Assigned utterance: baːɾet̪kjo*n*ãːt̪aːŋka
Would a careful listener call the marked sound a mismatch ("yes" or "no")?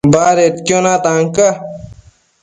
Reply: no